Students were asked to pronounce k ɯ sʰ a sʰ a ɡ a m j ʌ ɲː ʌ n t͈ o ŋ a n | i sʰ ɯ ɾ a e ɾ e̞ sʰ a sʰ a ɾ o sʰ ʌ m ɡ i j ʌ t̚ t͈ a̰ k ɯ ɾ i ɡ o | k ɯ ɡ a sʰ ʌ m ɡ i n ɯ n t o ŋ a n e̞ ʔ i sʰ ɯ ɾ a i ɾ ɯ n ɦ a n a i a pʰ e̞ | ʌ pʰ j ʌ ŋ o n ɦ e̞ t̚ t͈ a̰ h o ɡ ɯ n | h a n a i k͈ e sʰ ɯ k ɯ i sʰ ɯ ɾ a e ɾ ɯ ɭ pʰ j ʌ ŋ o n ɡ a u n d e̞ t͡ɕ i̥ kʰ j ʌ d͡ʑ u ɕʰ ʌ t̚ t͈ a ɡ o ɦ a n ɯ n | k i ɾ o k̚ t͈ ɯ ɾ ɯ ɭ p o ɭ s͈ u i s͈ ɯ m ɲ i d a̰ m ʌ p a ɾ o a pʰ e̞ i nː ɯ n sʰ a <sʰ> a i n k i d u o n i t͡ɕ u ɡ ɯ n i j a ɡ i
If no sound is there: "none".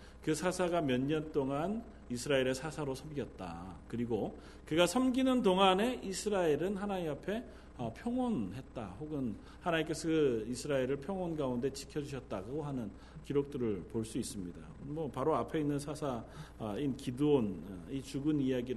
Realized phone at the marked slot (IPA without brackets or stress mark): sʰ